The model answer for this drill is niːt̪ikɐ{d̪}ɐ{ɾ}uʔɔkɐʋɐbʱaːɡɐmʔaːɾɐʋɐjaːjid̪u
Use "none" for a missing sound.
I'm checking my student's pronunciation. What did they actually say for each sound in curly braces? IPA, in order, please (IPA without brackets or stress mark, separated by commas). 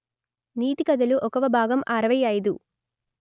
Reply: d̪, l